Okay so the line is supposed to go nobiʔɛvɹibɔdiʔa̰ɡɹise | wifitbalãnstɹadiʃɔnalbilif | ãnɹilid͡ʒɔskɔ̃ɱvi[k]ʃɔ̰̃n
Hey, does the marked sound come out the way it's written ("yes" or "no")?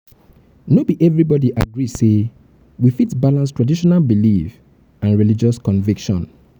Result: yes